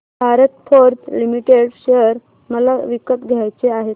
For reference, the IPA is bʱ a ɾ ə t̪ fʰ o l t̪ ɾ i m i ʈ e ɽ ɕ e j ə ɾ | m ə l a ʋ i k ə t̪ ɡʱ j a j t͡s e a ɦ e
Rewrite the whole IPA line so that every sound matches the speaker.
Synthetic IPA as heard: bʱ a ɾ ə t̪ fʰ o ɾ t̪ l i m i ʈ e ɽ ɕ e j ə ɾ | m ə l a ʋ i k ə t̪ ɡʱ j a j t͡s e a ɦ e